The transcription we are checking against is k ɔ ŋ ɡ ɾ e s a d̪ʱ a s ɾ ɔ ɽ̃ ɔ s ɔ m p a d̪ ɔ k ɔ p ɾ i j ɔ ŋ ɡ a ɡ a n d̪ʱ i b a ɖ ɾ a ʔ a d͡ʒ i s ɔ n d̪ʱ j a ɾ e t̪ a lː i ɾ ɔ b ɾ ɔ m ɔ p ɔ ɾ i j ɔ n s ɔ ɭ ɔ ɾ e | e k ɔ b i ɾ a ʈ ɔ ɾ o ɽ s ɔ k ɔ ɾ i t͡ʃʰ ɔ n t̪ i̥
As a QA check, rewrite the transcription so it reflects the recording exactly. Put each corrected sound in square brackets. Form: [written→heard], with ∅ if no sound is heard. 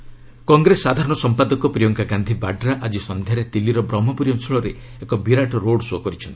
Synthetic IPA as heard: k ɔ ŋ ɡ ɾ e s a d̪ʱ a [s→∅] ɾ ɔ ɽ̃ ɔ s ɔ m p a d̪ ɔ k ɔ p ɾ i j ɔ ŋ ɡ a ɡ a n d̪ʱ i b a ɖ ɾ a ʔ a d͡ʒ i s ɔ n d̪ʱ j a ɾ e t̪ [a→i] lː i ɾ ɔ b ɾ ɔ m ɔ p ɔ ɾ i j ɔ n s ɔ ɭ ɔ ɾ e | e k ɔ b i ɾ a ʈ ɔ ɾ o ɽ s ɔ k ɔ ɾ i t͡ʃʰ ɔ n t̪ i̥